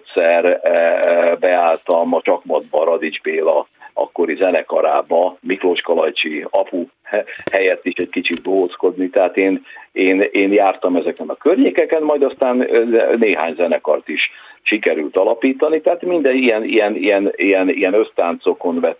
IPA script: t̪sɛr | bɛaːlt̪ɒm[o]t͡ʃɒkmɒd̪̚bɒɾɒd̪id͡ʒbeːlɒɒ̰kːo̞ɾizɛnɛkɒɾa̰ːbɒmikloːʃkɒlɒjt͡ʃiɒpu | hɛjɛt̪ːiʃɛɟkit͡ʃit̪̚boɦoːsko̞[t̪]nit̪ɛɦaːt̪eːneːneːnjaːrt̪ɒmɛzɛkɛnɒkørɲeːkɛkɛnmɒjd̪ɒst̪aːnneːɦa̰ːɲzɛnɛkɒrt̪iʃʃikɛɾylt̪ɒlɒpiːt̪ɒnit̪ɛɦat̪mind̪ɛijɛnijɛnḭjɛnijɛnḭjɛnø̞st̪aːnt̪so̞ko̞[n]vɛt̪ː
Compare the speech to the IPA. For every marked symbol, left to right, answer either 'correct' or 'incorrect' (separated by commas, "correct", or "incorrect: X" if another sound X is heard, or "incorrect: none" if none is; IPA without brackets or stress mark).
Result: incorrect: ɒ, incorrect: d̪, correct